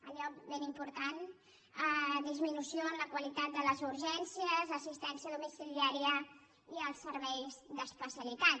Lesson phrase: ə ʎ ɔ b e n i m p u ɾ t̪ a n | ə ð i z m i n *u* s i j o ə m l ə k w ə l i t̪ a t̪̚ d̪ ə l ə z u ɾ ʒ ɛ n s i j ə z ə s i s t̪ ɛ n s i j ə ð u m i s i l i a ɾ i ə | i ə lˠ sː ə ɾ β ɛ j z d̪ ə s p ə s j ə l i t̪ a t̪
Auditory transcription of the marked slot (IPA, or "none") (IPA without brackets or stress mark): u